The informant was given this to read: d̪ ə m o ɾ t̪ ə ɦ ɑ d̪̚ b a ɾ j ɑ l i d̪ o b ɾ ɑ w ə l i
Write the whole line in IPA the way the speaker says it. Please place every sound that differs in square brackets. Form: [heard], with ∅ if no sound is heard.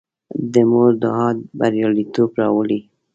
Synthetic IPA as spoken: d̪ ə m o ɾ [d̪] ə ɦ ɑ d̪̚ b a ɾ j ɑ l i [t̪] o b ɾ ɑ w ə l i